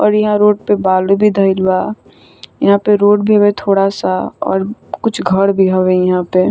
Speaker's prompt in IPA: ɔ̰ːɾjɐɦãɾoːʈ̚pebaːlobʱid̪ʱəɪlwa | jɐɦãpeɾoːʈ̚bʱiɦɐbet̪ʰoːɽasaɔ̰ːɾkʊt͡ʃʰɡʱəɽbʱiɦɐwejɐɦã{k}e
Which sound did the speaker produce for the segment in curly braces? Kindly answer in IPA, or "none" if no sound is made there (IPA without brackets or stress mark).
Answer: p